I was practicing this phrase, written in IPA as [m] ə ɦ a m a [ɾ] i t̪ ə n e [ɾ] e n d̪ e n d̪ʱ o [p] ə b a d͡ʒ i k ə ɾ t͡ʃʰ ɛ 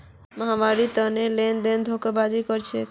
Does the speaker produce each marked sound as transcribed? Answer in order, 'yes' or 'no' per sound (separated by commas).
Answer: yes, yes, no, no